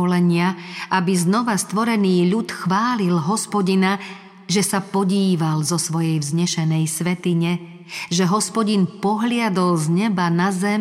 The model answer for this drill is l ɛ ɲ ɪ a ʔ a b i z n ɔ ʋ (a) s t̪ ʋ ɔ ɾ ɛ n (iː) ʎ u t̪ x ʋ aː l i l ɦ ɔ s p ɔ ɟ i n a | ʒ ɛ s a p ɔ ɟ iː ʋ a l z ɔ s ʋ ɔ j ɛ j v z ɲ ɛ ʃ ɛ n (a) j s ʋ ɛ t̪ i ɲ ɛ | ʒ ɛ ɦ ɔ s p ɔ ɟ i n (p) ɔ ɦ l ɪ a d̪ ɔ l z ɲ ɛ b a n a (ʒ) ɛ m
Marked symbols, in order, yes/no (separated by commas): yes, yes, no, yes, no